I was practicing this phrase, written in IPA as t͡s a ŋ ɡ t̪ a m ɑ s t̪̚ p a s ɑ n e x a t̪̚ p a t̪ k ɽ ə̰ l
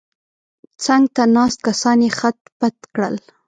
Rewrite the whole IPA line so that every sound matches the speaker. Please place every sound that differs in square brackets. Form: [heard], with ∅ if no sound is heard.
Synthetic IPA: t͡s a ŋ ɡ t̪ a [n] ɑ s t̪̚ [k] a s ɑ n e x a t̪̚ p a t̪ k ɽ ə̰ l